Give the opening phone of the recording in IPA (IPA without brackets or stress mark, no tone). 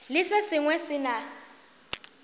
l